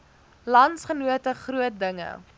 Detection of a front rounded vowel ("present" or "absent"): absent